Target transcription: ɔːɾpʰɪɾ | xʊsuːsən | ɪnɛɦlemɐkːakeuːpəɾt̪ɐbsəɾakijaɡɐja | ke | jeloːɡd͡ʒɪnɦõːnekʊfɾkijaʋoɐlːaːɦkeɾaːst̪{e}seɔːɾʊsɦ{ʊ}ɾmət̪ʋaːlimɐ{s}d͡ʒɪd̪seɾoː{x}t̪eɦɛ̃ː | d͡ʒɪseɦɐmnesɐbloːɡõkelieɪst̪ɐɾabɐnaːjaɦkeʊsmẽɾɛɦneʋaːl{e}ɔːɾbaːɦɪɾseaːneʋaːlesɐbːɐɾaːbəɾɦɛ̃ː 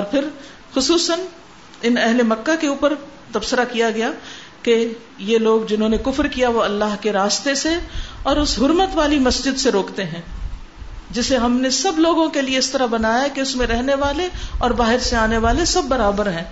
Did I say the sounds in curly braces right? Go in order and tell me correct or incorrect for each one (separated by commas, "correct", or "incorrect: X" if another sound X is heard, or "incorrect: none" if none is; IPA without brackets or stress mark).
correct, correct, correct, incorrect: k, correct